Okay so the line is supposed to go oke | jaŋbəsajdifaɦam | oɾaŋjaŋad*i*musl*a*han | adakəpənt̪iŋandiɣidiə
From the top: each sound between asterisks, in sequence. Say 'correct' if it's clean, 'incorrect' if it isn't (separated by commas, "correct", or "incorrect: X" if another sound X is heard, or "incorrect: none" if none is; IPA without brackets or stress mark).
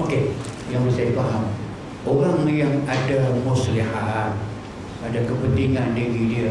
incorrect: a, incorrect: i